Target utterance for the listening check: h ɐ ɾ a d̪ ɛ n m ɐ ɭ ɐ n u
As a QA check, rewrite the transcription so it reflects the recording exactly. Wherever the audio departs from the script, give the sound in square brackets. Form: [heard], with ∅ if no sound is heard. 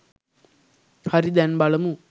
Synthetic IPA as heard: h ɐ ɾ [i] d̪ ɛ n [b] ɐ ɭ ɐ [m] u